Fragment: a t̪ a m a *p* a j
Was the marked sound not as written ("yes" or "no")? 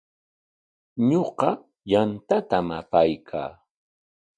no